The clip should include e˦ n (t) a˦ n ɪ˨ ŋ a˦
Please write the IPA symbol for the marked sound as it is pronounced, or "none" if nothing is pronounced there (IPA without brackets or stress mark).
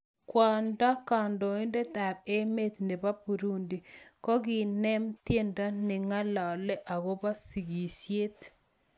d